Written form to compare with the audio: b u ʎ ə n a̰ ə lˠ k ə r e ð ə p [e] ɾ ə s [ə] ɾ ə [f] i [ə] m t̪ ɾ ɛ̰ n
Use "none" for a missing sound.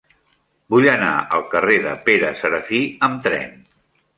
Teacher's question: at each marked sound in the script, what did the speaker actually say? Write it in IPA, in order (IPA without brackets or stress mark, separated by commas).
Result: e, ə, f, ə